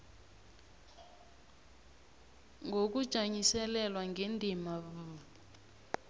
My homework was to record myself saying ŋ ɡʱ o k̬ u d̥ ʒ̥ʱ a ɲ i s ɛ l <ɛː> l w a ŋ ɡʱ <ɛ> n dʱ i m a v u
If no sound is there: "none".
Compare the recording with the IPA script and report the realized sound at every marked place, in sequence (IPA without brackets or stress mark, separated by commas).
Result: ɛ, e